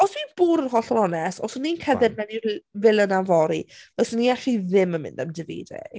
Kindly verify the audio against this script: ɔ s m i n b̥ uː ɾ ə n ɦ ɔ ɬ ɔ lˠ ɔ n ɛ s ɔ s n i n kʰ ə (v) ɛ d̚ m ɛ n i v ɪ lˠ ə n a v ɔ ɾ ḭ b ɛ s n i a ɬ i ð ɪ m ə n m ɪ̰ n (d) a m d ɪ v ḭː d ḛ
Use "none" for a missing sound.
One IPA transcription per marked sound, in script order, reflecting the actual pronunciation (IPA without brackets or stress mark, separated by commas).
ð, d